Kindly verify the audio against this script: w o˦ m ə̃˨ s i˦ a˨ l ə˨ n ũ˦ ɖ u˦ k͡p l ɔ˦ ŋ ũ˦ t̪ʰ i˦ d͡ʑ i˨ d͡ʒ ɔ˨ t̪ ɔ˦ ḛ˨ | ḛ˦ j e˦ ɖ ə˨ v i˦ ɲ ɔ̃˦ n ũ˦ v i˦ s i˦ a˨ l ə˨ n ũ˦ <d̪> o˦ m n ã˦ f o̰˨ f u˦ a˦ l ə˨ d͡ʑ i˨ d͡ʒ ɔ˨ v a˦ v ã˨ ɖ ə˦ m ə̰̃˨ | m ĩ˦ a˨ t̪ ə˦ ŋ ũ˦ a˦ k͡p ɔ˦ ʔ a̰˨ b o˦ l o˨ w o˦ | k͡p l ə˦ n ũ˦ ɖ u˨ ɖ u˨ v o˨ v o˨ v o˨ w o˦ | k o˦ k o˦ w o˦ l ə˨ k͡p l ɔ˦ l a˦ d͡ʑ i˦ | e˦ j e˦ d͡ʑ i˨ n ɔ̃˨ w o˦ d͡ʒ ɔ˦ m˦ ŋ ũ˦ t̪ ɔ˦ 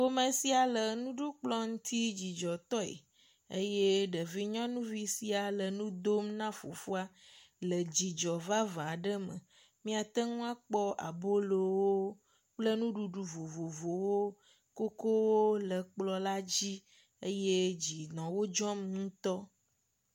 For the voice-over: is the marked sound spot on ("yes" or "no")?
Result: yes